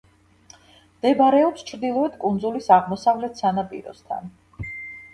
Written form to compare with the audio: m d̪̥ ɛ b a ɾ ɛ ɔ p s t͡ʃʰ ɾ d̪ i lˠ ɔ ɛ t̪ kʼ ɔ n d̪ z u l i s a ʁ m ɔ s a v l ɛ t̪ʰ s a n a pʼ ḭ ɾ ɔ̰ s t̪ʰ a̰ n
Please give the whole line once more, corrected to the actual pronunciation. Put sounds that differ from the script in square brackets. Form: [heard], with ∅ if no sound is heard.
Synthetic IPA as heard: m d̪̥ ɛ b a ɾ ɛ ɔ p s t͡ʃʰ ɾ d̪ i lˠ ɔ ɛ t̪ kʼ [u] n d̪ z u l i s a ʁ m ɔ s a v l ɛ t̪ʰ s a n a pʼ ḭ ɾ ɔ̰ s t̪ʰ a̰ n